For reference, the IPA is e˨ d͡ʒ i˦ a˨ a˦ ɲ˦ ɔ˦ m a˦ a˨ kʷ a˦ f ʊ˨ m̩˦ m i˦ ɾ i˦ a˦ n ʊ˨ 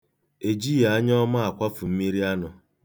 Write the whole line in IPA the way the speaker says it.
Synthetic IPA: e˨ d͡ʒ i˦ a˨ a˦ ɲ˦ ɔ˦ m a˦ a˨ kʷ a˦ f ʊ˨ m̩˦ m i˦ ɾ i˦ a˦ n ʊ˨